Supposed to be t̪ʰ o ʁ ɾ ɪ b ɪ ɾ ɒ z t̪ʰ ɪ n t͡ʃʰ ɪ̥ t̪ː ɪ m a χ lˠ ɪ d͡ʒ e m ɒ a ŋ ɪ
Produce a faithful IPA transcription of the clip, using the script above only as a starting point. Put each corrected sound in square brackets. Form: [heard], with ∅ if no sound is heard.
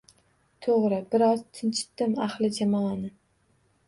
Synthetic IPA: t̪ʰ o ʁ ɾ ɪ b ɪ ɾ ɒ z t̪ʰ ɪ n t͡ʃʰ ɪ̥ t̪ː ɪ m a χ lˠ ɪ d͡ʒ [a] m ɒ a [n] ɪ